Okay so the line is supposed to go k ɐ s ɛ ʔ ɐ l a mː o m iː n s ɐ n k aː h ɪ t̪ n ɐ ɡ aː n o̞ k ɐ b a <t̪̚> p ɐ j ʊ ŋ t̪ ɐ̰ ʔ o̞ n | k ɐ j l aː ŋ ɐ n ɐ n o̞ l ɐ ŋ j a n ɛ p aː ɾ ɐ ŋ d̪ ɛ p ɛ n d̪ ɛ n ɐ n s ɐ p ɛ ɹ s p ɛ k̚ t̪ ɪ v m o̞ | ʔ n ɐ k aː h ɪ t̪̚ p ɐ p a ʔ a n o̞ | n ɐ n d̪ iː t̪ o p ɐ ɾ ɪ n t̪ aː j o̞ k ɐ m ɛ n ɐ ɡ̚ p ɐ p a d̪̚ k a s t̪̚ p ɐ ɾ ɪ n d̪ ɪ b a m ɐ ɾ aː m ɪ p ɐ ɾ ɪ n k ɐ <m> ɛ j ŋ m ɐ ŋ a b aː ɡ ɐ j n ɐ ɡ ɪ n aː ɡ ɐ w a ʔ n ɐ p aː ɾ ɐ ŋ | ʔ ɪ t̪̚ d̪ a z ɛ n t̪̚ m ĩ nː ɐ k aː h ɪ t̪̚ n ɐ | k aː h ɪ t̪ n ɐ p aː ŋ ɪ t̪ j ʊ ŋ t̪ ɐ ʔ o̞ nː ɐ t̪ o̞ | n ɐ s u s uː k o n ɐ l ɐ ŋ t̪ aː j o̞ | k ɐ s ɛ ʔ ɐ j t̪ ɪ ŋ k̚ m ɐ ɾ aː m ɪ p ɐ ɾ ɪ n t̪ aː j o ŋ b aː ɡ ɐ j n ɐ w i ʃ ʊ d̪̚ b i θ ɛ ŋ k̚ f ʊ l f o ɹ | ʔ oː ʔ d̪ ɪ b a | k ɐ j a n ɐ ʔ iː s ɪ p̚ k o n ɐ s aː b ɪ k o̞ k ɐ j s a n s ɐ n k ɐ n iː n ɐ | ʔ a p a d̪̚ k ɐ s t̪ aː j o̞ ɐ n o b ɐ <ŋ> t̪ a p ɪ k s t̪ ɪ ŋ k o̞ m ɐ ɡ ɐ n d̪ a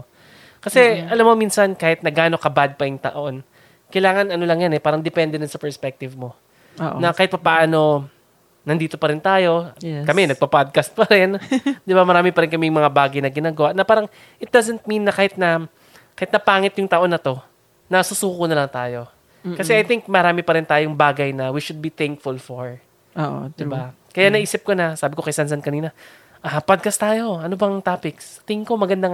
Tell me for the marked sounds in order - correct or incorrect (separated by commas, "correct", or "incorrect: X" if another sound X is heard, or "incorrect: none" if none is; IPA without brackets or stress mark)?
incorrect: d̪̚, correct, correct